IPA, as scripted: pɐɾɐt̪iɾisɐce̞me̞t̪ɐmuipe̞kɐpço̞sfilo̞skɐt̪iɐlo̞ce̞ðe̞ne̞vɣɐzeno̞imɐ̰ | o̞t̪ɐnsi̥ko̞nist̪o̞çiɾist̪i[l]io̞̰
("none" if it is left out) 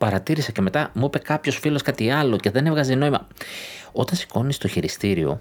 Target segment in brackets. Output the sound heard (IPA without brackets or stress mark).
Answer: ɾ